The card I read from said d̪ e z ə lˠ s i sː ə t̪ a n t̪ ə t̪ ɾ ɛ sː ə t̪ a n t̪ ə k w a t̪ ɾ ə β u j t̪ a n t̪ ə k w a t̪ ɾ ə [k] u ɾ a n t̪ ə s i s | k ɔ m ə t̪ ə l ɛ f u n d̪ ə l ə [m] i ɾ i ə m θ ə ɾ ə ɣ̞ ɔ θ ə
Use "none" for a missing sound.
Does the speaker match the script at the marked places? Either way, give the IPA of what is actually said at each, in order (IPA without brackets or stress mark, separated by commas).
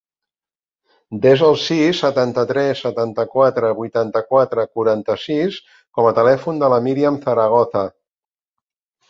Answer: k, m